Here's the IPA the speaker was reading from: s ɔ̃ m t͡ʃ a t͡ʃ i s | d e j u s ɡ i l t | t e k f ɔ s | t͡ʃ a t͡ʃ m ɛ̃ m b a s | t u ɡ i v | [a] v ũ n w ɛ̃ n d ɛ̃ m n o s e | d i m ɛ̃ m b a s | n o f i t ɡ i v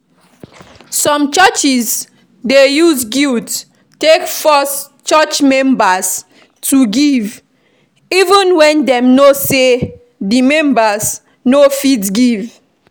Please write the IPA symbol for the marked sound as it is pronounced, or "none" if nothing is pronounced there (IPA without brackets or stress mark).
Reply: i